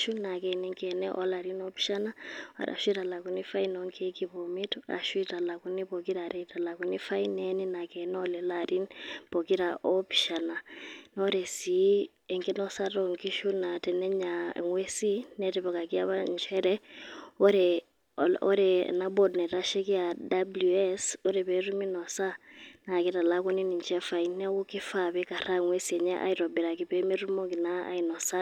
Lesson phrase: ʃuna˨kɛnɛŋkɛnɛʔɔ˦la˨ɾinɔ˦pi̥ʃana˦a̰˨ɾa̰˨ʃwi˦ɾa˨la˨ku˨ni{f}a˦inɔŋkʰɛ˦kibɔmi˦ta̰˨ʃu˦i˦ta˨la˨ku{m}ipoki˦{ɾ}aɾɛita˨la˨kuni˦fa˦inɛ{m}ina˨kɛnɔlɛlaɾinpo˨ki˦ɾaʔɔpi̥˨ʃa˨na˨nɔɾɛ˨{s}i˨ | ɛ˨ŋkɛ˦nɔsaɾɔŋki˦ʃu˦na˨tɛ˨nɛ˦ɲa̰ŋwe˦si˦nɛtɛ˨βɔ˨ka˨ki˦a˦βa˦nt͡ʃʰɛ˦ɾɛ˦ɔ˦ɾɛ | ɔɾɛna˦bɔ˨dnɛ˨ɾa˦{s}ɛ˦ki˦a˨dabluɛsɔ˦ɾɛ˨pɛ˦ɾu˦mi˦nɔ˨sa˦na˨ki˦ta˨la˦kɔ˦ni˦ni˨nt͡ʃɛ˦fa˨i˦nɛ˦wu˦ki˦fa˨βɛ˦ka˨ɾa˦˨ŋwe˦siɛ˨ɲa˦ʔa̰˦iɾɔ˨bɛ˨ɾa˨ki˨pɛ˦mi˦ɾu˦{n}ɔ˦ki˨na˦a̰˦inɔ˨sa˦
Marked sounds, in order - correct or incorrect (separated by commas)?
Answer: correct, incorrect, correct, incorrect, correct, incorrect, incorrect